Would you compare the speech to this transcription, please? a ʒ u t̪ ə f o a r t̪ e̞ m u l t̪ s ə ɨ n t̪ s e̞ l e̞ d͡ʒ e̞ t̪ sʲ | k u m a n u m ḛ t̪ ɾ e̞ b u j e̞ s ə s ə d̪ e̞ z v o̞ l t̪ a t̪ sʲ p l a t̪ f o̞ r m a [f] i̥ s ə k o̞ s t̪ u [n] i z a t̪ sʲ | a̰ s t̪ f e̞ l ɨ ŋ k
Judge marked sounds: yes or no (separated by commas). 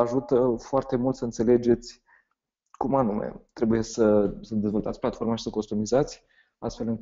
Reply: no, no